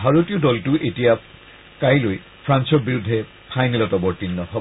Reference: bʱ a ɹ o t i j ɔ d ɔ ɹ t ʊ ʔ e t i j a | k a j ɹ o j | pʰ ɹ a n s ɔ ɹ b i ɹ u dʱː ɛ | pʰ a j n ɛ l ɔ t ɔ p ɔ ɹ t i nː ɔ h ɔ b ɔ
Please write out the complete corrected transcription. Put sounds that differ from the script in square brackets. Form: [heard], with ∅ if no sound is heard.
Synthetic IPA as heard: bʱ a ɹ o t i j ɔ d ɔ [l] t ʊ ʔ e t i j a | k a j [l] o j | pʰ ɹ a n s ɔ ɹ b i ɹ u dʱː ɛ | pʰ a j n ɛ l ɔ t ɔ [b] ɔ ɹ t i nː ɔ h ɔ b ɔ